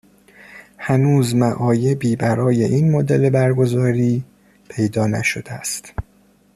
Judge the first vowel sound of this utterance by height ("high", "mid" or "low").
low